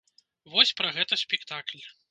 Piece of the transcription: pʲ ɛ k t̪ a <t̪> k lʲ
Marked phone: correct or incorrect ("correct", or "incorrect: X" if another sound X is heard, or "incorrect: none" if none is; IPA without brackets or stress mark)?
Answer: incorrect: none